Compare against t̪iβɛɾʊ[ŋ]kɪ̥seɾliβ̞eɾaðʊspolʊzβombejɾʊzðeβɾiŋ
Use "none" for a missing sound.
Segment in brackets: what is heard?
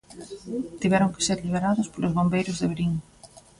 ŋ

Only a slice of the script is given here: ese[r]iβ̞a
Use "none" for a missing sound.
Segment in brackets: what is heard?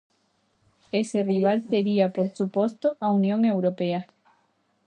r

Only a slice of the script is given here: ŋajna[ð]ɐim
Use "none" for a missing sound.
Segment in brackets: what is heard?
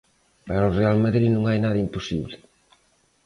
ð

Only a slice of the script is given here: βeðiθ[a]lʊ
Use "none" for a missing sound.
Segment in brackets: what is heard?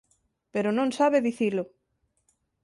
i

